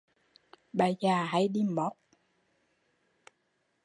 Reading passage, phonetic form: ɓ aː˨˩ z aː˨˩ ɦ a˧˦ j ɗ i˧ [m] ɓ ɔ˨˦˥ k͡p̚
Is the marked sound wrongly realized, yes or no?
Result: no